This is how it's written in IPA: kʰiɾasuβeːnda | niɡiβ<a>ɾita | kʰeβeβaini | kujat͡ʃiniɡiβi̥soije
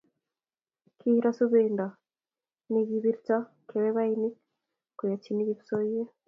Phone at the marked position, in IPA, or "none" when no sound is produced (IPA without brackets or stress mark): i